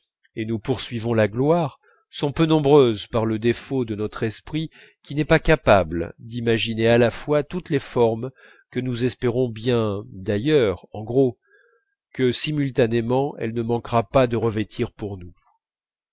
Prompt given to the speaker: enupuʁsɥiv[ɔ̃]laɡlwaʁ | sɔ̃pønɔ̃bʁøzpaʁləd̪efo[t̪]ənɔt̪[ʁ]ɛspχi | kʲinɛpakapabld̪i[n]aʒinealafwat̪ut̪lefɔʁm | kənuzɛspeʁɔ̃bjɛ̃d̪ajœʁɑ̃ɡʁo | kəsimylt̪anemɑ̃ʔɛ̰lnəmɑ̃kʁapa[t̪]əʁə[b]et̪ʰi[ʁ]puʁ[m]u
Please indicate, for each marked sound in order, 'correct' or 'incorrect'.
correct, incorrect, incorrect, incorrect, incorrect, incorrect, correct, incorrect

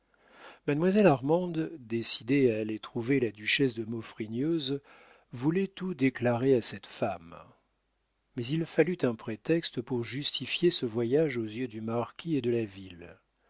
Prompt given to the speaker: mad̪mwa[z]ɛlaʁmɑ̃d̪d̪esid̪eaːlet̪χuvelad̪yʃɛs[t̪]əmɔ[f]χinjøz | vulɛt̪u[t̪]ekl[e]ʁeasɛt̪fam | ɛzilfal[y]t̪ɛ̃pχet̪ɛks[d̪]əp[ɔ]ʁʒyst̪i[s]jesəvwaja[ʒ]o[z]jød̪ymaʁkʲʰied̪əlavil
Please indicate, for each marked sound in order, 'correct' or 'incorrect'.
correct, incorrect, correct, incorrect, incorrect, correct, incorrect, incorrect, incorrect, correct, correct

